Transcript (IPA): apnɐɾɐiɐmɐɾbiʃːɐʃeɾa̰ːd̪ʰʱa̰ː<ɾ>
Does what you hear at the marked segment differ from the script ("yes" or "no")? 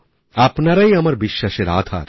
no